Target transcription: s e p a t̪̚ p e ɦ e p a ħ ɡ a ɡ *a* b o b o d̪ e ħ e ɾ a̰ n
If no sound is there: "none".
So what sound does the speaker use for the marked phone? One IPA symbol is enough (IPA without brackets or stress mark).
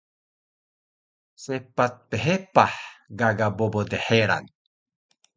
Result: a